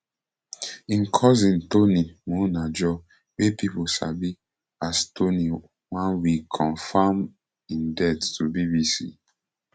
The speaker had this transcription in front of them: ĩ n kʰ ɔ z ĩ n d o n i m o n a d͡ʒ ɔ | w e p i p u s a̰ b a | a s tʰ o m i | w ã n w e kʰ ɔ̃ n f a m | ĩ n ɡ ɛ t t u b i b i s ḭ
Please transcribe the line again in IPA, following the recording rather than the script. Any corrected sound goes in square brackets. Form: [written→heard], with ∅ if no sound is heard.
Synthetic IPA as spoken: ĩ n kʰ ɔ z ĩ n [d→t] o n i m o n a d͡ʒ ɔ | w e p i p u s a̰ b [a→i] | a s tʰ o [m→n] i | w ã n w [e→i] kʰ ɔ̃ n f a m | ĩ n [ɡ→d] ɛ t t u b i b i s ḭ